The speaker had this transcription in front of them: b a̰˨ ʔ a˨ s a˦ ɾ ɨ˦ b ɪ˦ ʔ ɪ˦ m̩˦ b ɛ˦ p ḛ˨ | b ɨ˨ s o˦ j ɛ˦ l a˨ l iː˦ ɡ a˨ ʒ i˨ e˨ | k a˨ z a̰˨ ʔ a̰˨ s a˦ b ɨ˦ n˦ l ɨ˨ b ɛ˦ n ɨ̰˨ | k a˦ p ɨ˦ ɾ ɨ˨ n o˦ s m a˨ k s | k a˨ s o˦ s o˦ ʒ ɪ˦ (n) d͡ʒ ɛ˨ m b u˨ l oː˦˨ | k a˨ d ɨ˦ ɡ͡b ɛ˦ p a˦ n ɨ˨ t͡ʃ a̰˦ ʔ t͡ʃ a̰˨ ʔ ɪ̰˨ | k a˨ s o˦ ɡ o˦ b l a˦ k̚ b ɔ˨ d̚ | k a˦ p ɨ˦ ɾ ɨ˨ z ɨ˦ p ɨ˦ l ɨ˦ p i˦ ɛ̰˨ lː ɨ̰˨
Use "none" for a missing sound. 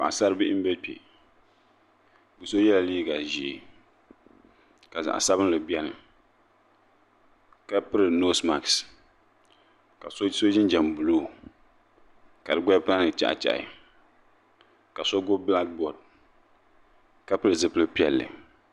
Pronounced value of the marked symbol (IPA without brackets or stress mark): n